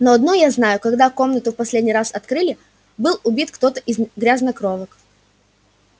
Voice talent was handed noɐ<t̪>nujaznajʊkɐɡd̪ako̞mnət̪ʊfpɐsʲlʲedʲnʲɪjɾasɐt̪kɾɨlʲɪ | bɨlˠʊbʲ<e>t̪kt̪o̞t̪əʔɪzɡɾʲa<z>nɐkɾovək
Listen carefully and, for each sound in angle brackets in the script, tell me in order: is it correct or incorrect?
incorrect: d̪, incorrect: i, correct

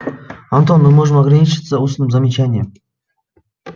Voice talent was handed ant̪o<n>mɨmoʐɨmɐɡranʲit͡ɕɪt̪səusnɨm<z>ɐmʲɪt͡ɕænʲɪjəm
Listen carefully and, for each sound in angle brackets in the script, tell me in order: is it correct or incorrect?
correct, correct

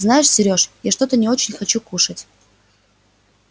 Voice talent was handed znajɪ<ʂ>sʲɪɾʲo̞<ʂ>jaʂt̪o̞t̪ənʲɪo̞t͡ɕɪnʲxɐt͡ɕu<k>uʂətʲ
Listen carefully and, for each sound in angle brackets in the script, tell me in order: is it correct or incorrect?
correct, correct, correct

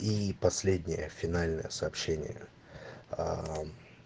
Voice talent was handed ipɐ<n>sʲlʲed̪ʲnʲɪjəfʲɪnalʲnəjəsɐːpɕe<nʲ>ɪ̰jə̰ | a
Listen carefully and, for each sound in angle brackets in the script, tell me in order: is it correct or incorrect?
incorrect: none, correct

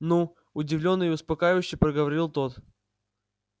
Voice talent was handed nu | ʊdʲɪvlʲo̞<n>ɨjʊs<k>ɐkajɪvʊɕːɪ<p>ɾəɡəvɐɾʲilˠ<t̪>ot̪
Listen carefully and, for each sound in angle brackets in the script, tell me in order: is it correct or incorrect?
incorrect: nː, incorrect: p, correct, correct

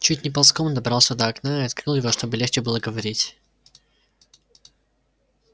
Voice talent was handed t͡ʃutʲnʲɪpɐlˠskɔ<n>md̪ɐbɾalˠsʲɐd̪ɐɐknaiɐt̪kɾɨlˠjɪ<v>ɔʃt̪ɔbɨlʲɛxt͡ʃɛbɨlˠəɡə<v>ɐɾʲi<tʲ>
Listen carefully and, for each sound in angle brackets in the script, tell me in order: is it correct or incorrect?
incorrect: none, correct, correct, correct

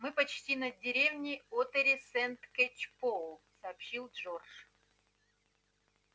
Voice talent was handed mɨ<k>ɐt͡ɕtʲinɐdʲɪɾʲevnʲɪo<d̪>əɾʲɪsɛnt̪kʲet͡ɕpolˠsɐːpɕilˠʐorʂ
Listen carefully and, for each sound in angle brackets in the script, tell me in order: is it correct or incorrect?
incorrect: p, incorrect: t̪

